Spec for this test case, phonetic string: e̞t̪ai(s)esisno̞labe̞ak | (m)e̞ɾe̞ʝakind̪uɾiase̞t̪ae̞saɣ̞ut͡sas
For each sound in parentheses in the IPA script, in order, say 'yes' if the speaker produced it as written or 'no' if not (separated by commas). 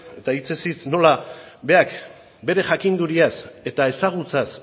no, no